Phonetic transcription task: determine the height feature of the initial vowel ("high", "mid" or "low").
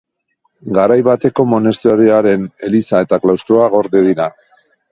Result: low